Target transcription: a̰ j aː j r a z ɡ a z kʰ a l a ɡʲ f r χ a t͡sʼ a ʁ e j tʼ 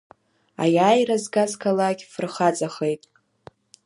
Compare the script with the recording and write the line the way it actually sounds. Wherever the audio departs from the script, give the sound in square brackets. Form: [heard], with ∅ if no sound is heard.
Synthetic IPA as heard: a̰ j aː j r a z ɡ a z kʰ a l a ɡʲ f r χ a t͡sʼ a [χ] e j tʼ